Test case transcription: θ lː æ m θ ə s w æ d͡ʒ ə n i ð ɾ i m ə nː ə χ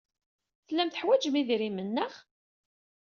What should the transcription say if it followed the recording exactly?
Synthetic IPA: θ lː æ m θ ə ħ w æ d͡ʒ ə m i ð ɾ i m ə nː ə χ

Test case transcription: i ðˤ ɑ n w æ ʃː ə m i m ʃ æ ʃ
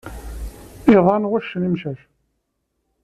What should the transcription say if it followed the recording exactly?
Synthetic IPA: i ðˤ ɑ n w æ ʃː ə n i m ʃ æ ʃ

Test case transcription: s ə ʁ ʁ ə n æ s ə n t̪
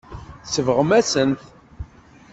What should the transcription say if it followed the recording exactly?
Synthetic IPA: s ə v ʁ ə m æ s ə n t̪

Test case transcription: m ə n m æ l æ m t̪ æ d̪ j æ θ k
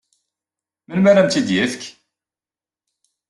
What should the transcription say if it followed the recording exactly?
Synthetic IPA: m ə n m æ ɾ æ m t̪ i d̪ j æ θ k

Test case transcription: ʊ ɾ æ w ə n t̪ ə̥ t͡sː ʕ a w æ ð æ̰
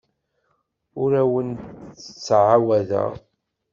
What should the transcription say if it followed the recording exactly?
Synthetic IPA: ʊ ɾ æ w ə n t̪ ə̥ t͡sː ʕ a w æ ð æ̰

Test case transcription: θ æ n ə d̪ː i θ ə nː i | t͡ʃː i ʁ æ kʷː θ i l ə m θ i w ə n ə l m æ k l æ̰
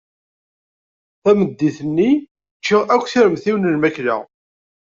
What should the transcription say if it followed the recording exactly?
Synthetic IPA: θ æ m ə d̪ː i θ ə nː i | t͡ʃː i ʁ æ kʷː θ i ɾ ə m θ i w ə n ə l m æ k l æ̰

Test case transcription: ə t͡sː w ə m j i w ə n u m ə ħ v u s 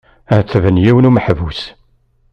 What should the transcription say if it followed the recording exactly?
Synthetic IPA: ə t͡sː v ə n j i w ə n u m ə ħ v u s

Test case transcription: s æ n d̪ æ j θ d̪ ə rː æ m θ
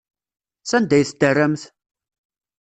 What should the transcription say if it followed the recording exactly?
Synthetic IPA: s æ n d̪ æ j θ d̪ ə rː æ m θ

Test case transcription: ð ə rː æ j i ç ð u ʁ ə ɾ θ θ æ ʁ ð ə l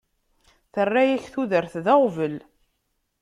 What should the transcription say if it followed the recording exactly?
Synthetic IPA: θ ə rː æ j æ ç θ u ð ə ɾ θ ð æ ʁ v ə l

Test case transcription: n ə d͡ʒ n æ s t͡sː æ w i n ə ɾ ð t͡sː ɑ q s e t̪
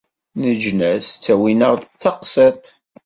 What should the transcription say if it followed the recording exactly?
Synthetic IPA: n ə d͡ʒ n æ s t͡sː æ w i n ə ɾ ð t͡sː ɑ q s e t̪

